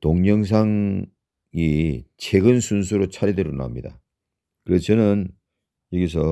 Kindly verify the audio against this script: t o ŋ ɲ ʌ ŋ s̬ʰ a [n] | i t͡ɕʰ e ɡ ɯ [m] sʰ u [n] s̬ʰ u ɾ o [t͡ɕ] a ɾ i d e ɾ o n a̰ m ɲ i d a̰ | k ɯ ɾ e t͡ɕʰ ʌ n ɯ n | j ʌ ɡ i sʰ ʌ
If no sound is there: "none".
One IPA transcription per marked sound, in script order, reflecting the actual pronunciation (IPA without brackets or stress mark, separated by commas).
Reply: ŋ, n, n, t͡ɕʰ